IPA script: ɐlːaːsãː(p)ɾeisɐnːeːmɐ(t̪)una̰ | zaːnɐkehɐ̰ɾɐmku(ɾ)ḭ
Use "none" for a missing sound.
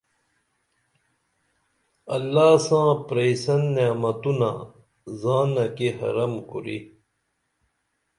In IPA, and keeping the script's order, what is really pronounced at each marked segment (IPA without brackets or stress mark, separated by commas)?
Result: p, t̪, ɾ